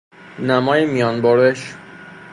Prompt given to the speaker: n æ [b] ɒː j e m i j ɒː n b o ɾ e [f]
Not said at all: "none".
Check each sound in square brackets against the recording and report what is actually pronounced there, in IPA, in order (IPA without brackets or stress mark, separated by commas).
m, ʃ